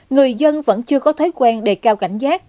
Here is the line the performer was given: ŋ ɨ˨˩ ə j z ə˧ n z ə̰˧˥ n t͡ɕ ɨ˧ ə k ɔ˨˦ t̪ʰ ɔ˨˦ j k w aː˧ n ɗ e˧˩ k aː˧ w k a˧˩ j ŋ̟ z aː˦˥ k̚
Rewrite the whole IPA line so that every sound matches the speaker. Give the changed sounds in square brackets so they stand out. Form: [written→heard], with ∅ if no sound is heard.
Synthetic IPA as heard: ŋ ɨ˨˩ ə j z ə˧ n [z→v] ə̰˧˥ n t͡ɕ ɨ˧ ə k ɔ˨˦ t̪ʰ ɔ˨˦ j k w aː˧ n ɗ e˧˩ k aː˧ w k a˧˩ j ŋ̟ z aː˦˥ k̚

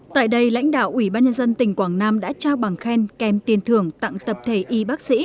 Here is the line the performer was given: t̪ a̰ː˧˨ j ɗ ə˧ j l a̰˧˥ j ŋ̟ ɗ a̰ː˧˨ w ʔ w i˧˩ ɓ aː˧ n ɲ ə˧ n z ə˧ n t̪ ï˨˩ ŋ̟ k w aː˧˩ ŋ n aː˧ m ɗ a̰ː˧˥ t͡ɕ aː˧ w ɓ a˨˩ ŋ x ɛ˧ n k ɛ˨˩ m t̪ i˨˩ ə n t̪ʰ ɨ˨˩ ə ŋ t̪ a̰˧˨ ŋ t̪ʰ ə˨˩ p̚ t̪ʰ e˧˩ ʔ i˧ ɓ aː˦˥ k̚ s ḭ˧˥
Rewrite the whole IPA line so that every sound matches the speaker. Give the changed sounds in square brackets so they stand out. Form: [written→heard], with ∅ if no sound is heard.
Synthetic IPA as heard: t̪ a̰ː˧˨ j ɗ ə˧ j l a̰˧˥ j ŋ̟ ɗ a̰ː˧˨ w ʔ w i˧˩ ɓ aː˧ n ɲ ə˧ n z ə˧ n t̪ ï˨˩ ŋ̟ k w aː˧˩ ŋ n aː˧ m ɗ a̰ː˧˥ t͡ɕ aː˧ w ɓ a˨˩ ŋ x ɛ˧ n k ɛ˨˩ m t̪ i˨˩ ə n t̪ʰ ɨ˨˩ ə ŋ t̪ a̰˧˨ ŋ [t̪ʰ→t̪] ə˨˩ p̚ t̪ʰ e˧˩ ʔ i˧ ɓ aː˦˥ k̚ s ḭ˧˥

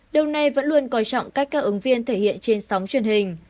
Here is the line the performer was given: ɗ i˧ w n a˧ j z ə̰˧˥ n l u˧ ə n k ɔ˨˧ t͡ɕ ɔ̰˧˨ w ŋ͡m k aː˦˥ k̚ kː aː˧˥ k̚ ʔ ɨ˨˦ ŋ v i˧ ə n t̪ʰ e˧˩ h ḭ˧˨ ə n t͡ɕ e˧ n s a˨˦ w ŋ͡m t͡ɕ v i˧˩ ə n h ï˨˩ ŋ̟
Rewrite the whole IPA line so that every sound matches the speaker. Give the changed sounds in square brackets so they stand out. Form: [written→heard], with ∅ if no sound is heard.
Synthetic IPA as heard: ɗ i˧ w n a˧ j [z→v] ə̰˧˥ n l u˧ ə n k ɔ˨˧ t͡ɕ ɔ̰˧˨ w ŋ͡m k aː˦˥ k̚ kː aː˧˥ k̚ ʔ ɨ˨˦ ŋ v i˧ ə n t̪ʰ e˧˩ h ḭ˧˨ ə n t͡ɕ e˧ n s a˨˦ w ŋ͡m t͡ɕ [v→w] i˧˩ ə n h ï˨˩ ŋ̟

